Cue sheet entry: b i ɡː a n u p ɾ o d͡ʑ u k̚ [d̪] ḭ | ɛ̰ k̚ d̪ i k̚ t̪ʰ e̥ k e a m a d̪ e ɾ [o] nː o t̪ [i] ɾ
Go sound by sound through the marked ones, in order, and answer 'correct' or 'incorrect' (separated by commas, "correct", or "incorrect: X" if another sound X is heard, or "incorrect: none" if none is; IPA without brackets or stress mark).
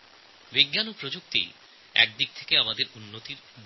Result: incorrect: t̪, incorrect: u, correct